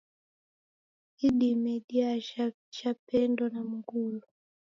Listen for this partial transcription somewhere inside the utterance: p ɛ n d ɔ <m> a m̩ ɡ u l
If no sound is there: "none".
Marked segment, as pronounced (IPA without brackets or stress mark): n